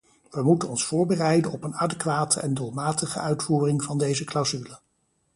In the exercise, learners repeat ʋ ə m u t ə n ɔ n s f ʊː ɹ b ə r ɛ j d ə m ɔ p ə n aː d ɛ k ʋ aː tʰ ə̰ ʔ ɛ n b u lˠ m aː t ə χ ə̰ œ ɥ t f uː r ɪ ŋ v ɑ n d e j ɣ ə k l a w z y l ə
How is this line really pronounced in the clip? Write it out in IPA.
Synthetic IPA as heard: ʋ ə m u t ə n ɔ n s f ʊː ɹ b ə r ɛ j d ə n ɔ p ə n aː d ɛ k ʋ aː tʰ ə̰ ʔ ɛ n d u lˠ m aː t ə χ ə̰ œ ɥ t f uː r ɪ ŋ v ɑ n d e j z ə k l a w z y l ə